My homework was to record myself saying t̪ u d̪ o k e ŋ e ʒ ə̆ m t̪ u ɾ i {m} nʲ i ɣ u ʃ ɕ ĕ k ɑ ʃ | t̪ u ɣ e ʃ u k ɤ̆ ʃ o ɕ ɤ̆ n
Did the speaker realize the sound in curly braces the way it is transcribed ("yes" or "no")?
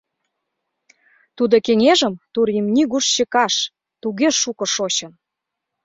yes